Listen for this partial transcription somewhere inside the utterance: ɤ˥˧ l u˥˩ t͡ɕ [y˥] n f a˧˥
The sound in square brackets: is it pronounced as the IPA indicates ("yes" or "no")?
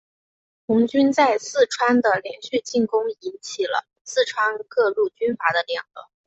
yes